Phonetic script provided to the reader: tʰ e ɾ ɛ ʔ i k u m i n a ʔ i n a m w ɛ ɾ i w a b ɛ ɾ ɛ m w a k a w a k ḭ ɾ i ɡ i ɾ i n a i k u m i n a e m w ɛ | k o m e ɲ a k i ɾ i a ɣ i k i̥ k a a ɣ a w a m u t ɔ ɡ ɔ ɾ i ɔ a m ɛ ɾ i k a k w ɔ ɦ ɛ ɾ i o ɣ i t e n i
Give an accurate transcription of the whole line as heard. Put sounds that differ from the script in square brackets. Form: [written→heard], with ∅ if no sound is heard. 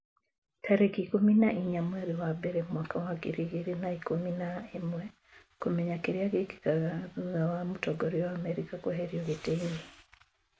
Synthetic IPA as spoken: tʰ [e→a] ɾ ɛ [ʔ→k] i k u m i n a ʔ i [n→ɲ] a m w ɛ ɾ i w a b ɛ ɾ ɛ m w a k a w a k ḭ ɾ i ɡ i ɾ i n a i k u m i n a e m w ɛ | k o m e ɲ a k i ɾ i a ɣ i k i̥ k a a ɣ a w a m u t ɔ ɡ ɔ ɾ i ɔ a m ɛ ɾ i k a k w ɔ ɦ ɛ ɾ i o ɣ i t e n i